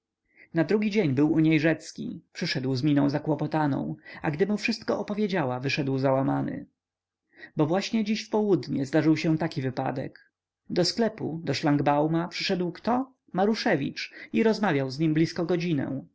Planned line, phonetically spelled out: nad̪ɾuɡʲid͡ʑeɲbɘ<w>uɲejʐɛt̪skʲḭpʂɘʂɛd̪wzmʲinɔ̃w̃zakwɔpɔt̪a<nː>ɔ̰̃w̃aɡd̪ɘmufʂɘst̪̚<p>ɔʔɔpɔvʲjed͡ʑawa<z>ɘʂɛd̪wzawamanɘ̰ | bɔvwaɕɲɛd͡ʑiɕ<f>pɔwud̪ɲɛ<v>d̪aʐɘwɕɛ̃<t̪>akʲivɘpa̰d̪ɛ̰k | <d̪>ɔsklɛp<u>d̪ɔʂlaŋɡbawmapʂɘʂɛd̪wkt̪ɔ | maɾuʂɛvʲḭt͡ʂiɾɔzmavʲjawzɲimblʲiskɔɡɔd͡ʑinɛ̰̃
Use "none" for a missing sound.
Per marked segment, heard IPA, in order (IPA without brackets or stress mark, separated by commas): w, n, k, v, f, z, t̪, d̪, u